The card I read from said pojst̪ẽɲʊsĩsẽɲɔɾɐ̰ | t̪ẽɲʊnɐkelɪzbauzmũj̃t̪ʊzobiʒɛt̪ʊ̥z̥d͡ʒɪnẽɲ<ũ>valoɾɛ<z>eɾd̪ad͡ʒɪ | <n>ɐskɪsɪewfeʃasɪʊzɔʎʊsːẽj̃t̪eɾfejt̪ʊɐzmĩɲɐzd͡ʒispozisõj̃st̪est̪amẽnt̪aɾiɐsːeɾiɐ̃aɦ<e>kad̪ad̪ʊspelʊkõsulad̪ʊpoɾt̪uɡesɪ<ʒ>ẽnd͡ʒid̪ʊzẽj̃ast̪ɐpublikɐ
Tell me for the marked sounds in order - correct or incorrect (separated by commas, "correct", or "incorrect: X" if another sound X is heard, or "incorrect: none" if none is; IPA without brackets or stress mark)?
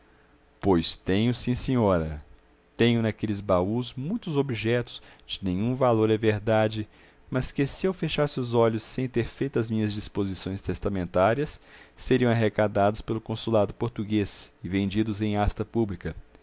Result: correct, incorrect: v, incorrect: m, correct, incorrect: v